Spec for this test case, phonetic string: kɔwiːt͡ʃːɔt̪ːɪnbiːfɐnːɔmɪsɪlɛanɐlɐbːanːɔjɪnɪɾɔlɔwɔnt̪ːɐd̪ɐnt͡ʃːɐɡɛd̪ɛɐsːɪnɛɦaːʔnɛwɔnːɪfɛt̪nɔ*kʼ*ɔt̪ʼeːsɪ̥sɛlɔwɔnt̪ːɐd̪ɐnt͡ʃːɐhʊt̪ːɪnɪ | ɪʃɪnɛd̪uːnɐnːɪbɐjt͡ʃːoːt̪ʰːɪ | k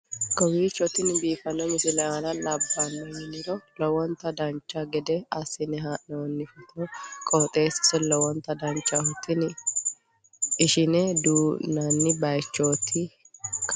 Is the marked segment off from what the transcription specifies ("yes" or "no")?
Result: no